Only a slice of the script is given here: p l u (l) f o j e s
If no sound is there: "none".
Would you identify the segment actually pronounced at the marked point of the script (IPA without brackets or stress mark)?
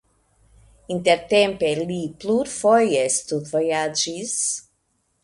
ɾ